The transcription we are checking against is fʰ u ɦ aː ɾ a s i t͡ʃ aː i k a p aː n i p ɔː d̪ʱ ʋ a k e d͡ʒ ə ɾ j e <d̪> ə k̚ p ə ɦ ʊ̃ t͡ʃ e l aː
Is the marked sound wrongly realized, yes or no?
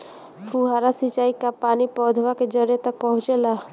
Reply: yes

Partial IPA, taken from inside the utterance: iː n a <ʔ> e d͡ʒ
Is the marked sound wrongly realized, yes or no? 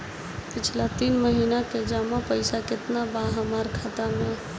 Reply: yes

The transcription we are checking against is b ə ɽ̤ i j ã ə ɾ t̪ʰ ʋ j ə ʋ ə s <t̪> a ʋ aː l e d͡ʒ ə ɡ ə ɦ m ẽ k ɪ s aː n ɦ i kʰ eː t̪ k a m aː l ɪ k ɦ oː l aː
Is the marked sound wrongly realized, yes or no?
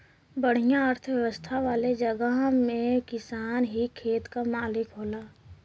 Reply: yes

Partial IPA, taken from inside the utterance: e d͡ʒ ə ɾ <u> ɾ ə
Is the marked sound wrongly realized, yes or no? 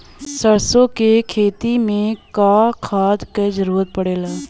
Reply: yes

